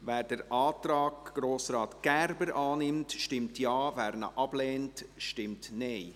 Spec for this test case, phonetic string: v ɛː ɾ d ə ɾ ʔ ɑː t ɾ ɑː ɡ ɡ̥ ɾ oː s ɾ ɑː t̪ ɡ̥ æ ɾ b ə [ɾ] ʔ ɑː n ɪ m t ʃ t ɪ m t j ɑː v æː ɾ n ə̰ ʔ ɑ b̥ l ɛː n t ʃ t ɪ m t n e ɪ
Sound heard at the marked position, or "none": ɾ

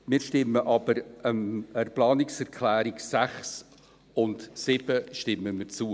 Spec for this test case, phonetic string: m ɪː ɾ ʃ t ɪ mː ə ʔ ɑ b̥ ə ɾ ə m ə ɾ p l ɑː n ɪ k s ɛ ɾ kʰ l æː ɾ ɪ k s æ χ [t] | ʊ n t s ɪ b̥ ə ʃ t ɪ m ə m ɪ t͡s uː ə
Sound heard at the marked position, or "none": s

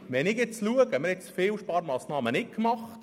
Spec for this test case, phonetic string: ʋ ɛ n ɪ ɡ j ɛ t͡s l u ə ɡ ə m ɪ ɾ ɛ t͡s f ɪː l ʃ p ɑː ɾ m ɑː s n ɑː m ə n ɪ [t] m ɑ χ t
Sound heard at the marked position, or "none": k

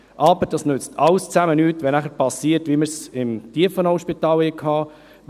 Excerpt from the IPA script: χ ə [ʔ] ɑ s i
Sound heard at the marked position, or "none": p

